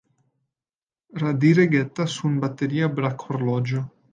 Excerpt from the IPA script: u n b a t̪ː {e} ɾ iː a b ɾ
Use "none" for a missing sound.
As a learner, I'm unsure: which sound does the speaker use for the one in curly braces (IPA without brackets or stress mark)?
e